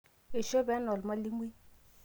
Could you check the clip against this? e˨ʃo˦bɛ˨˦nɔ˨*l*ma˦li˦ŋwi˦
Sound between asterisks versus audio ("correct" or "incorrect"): correct